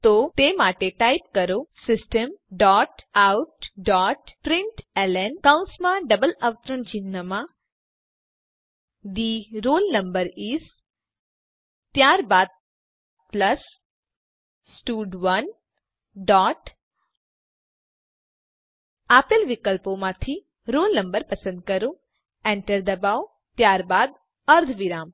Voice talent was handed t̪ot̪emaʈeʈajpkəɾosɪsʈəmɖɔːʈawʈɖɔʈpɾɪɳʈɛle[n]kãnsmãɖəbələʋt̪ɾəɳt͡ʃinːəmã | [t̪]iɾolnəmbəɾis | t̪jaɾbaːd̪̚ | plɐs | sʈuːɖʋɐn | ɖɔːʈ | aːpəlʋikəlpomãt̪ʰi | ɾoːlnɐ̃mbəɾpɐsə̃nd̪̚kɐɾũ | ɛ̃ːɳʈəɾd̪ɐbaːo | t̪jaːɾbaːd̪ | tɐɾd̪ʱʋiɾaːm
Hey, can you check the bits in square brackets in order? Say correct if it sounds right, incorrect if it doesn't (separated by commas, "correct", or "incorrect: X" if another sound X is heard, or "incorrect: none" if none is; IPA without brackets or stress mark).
correct, incorrect: d̪